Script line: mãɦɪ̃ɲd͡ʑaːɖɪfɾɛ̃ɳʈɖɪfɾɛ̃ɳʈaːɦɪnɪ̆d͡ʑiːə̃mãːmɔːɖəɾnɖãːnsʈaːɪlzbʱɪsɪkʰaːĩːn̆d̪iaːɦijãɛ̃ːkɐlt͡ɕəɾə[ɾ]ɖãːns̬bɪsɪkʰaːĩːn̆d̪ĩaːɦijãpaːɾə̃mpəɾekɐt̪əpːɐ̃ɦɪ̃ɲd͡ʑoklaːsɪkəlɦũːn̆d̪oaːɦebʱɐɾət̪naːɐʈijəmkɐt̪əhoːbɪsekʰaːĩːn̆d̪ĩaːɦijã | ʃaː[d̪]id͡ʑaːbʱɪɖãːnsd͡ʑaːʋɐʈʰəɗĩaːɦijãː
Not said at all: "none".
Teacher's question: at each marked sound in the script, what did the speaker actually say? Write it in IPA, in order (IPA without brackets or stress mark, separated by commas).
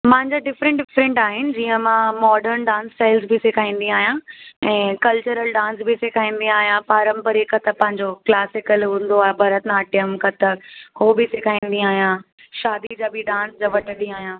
l, d̪